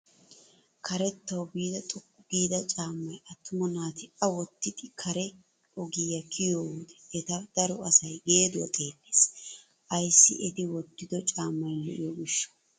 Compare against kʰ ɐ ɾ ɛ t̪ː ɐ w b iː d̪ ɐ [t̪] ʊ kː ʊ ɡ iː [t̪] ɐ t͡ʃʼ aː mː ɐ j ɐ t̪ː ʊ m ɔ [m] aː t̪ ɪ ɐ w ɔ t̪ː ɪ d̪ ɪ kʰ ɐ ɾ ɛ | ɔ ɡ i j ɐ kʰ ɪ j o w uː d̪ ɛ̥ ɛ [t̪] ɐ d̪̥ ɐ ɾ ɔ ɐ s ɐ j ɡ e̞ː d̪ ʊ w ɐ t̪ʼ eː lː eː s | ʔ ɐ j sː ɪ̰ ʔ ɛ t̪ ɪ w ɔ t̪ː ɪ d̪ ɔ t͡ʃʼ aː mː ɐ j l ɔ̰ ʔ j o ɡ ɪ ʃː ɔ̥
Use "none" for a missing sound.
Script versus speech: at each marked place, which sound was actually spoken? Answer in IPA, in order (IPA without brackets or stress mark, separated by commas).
t̪ʼ, d̪, n, t̪